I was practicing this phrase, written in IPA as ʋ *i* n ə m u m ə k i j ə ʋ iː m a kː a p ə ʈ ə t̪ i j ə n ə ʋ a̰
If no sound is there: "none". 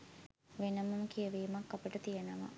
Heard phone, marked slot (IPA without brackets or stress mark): e